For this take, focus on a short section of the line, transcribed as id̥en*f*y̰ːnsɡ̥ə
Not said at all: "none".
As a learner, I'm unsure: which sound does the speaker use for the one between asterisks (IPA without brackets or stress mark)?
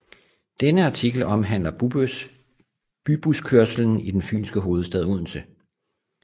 f